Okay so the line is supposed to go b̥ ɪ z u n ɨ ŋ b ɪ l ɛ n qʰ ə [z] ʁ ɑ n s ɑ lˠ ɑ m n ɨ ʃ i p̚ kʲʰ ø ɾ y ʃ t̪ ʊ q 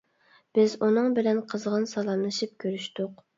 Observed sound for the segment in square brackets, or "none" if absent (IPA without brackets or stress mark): z